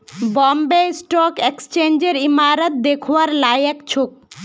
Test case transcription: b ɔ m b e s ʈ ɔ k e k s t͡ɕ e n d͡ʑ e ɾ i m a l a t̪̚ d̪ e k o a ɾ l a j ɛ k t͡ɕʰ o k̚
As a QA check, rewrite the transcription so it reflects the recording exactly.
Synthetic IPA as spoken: b ɔ m b e s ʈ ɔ k e k s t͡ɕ e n d͡ʑ e ɾ i m a ɾ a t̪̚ d̪ e kʰ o a ɾ l a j ɛ k t͡ɕʰ o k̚